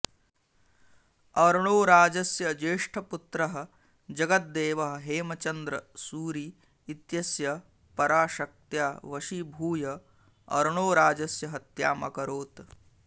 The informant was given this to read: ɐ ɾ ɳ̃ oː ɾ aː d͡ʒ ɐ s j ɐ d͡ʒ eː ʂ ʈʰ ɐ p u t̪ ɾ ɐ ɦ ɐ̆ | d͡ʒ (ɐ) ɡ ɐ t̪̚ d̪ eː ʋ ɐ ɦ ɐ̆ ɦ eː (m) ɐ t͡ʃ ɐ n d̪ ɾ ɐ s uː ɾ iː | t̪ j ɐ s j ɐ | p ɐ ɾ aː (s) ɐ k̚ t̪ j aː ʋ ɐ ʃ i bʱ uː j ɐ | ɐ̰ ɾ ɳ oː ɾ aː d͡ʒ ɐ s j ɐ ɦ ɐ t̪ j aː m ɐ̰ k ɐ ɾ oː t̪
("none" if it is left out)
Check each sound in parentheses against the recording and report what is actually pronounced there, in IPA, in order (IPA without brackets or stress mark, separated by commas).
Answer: ɐ, m, ʃ